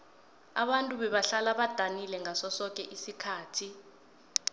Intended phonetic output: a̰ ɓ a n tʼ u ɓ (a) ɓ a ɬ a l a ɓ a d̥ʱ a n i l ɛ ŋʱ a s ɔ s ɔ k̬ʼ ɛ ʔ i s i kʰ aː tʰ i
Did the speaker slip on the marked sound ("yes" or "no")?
yes